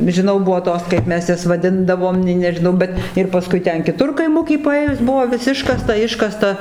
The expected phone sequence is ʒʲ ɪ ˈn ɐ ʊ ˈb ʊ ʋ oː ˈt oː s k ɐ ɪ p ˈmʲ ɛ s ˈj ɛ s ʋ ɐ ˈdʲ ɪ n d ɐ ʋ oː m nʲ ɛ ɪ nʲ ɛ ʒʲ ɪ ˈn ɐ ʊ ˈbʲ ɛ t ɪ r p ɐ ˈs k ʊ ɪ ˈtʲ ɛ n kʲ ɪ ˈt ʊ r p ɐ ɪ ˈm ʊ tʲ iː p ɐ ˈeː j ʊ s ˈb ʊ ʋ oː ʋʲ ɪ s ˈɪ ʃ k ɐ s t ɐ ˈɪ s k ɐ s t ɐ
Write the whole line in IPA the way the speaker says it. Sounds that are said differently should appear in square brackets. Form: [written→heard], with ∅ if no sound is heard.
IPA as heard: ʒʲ ɪ ˈn ɐ ʊ ˈb ʊ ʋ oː ˈt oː s k ɐ ɪ p ˈmʲ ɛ s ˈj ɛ s ʋ ɐ ˈdʲ ɪ n d ɐ ʋ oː m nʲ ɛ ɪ nʲ ɛ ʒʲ ɪ ˈn ɐ ʊ ˈbʲ ɛ t ɪ r p ɐ ˈs k ʊ ɪ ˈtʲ ɛ n kʲ ɪ ˈt ʊ r [p→k] ɐ ɪ ˈm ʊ [tʲ→kʲ] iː p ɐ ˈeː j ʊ s ˈb ʊ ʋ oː ʋʲ ɪ s ˈɪ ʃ k ɐ s t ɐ ˈɪ [s→ʃ] k ɐ s t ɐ